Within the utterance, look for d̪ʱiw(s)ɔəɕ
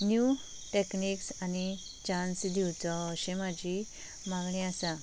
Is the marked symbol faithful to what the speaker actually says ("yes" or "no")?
no